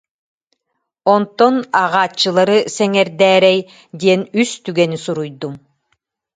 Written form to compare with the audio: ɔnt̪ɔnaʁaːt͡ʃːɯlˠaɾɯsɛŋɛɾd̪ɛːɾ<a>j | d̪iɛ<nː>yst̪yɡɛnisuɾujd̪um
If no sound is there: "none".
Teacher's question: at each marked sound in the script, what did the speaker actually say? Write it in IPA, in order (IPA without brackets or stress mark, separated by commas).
ɛ, n